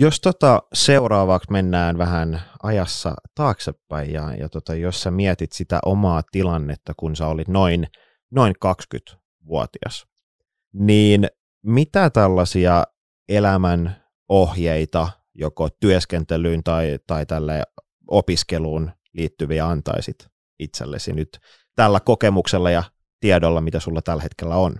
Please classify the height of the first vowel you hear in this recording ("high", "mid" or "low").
mid